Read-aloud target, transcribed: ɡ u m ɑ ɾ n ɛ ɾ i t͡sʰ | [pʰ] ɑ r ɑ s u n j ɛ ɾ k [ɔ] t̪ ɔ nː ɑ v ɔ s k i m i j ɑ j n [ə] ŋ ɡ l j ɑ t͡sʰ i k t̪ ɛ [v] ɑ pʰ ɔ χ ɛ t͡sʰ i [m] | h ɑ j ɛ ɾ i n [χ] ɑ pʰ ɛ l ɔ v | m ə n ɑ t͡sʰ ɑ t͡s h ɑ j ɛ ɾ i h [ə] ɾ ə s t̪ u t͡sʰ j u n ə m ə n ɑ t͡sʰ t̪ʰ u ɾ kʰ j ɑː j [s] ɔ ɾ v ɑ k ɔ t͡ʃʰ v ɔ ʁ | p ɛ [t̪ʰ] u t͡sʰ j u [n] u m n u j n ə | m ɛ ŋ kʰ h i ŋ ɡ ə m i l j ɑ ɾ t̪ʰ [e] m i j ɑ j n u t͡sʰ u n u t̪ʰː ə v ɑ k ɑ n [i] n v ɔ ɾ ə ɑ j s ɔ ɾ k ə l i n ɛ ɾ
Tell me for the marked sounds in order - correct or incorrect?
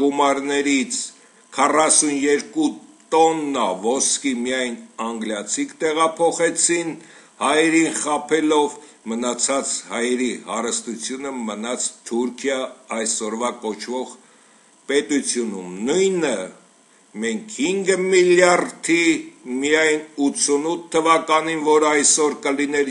incorrect, incorrect, incorrect, incorrect, incorrect, correct, incorrect, correct, incorrect, correct, incorrect, correct

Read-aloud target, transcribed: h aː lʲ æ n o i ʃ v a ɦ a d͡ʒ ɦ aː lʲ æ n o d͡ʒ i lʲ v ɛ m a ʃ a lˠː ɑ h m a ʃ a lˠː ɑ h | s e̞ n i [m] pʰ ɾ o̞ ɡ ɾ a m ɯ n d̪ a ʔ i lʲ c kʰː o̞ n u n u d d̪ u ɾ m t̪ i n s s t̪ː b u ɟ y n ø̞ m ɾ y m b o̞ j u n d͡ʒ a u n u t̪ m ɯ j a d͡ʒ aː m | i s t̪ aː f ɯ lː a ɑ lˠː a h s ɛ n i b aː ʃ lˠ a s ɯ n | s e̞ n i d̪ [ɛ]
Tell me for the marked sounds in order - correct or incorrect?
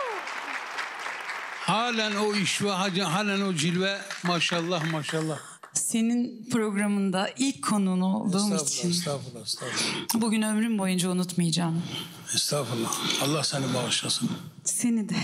incorrect, correct

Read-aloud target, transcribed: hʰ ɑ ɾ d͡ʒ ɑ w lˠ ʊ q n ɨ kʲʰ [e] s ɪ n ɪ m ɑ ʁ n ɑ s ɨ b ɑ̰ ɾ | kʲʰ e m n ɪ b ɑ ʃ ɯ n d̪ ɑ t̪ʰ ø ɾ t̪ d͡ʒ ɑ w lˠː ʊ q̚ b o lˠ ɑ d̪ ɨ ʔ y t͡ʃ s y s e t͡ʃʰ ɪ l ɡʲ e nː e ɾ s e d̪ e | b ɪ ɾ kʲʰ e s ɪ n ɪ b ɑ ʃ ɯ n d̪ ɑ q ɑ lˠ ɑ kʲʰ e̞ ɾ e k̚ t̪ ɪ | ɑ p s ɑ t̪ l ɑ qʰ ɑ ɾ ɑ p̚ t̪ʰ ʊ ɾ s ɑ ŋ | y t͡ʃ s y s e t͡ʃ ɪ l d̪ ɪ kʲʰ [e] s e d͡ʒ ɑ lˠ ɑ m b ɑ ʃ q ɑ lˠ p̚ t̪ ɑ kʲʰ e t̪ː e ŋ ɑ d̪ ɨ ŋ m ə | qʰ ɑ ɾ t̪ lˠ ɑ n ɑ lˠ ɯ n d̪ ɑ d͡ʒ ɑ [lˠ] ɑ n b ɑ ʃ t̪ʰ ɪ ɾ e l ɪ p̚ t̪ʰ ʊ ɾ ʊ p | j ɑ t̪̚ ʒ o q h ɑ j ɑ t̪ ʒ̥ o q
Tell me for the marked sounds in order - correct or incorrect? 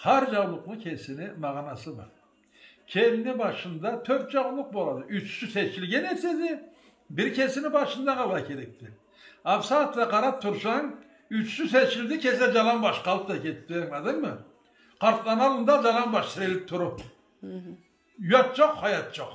correct, correct, correct

